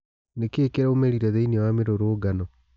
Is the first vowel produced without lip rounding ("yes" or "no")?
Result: yes